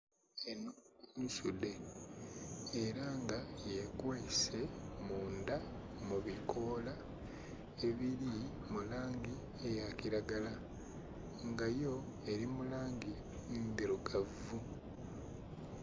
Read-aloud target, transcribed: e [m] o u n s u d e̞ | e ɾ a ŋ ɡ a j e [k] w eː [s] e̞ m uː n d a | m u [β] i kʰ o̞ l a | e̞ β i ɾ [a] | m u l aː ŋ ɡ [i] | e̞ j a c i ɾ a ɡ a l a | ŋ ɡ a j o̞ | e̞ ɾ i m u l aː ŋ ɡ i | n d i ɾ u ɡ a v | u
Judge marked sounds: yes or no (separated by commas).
no, yes, yes, yes, no, yes